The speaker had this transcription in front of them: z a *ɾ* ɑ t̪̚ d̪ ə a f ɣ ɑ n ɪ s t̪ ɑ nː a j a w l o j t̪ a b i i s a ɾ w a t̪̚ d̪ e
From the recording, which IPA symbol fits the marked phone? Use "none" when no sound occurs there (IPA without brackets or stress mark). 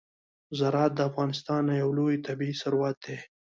ɾ